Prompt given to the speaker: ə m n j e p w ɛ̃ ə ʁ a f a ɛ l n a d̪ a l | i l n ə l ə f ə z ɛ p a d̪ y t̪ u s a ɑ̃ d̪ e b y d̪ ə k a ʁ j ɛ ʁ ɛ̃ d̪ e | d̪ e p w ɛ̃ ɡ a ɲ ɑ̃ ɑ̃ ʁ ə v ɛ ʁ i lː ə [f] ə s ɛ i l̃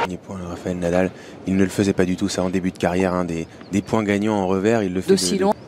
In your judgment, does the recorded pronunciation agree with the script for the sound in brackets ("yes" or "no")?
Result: yes